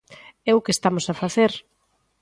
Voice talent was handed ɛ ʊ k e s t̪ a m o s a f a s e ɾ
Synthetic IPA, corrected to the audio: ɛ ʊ k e s t̪ a m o s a f a θ e ɾ